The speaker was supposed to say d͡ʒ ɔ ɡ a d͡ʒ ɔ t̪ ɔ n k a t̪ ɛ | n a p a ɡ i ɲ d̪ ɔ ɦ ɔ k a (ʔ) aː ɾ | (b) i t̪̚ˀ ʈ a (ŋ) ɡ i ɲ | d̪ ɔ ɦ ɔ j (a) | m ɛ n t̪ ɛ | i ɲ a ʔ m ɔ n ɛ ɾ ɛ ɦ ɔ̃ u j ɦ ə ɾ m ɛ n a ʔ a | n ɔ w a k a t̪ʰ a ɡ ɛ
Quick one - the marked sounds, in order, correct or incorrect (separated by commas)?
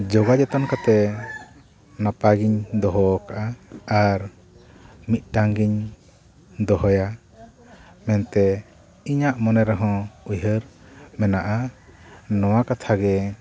correct, incorrect, correct, correct